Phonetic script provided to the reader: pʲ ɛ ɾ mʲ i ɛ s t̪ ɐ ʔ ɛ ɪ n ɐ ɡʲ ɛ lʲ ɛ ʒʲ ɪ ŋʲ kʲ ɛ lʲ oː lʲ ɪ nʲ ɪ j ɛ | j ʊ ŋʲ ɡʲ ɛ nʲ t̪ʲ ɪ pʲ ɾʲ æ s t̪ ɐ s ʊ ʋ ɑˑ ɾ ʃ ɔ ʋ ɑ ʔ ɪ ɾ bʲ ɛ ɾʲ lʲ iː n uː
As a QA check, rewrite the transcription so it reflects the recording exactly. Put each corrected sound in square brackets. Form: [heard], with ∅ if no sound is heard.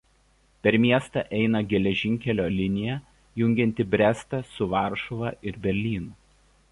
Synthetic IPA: pʲ ɛ ɾ mʲ i ɛ s t̪ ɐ ʔ ɛ ɪ n ɐ ɡʲ ɛ lʲ ɛ ʒʲ ɪ ŋʲ kʲ ɛ lʲ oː lʲ ɪ nʲ ɪ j ɛ | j ʊ ŋʲ ɡʲ ɛ nʲ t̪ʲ ɪ [bʲ] ɾʲ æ s t̪ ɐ s ʊ ʋ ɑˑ ɾ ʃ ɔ ʋ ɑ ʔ ɪ ɾ bʲ ɛ ɾʲ lʲ iː n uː